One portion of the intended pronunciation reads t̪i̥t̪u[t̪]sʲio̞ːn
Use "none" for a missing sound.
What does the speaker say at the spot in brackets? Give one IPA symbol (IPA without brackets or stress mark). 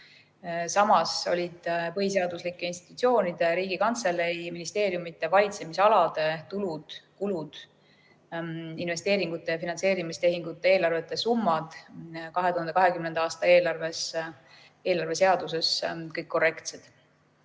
t̪